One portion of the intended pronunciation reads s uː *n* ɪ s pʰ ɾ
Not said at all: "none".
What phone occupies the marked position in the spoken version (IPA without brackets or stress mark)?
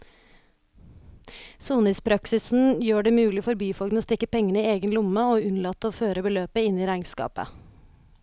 n